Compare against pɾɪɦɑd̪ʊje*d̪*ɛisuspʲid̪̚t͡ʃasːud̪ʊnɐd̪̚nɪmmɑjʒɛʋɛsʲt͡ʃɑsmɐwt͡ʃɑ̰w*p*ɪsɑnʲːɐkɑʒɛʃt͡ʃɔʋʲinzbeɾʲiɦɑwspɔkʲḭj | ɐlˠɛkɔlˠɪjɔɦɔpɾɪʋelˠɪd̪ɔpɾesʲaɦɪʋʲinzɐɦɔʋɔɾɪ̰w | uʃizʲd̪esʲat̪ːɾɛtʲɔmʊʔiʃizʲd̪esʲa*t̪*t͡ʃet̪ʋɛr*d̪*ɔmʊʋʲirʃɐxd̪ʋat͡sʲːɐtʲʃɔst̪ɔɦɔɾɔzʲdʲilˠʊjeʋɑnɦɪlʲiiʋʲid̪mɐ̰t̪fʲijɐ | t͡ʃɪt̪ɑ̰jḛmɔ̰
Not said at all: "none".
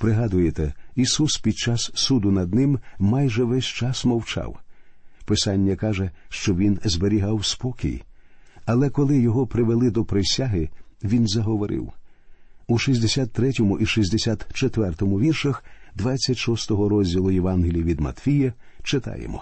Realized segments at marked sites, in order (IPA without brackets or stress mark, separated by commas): t̪, p, t̪, t̪